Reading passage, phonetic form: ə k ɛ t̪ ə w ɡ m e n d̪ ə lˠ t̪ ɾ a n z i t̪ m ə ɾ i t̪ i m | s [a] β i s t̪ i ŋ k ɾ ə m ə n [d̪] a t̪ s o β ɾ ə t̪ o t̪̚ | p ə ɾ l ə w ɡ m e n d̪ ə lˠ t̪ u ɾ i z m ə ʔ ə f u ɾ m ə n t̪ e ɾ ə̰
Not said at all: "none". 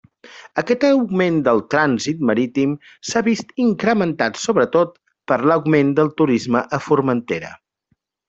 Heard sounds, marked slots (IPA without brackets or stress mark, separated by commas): a, t̪